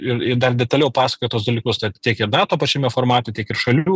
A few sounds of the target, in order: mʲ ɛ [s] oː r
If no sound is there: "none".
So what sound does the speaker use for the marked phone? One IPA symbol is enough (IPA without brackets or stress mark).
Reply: f